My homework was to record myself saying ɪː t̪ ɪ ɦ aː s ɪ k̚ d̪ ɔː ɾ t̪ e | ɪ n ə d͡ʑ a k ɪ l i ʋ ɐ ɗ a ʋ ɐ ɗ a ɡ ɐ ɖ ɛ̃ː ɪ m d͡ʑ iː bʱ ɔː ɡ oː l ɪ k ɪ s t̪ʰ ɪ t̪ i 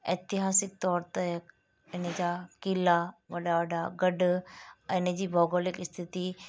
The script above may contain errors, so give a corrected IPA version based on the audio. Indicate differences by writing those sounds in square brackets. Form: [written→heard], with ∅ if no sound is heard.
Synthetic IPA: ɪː t̪ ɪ ɦ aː s ɪ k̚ [d̪→t̪] ɔː ɾ t̪ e | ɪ n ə d͡ʑ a k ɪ l [i→a] ʋ ɐ ɗ a ʋ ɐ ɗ a ɡ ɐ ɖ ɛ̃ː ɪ [m→n] d͡ʑ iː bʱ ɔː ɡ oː l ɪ k ɪ s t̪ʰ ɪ t̪ i